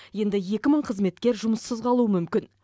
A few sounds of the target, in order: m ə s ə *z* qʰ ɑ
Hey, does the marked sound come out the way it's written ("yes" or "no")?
yes